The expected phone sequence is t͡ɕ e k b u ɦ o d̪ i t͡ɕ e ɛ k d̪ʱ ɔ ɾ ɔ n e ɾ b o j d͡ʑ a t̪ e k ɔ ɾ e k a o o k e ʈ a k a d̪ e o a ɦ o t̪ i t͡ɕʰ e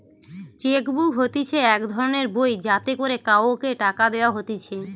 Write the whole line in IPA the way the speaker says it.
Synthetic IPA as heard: t͡ɕ e k b u ɦ o t̪ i t͡ɕʰ e ɛ k d̪ʱ ɔ ɾ o n e ɾ b o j d͡ʑ a t̪ e k o ɾ e k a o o k e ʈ a k a d̪ e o a ɦ o t̪ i t͡ɕʰ e